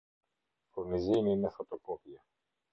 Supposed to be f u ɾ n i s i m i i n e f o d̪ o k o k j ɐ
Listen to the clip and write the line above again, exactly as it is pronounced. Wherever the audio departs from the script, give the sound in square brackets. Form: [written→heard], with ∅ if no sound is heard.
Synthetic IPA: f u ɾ n i [s→z] i [m→n] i i n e f o [d̪→t̪] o k o [k→p] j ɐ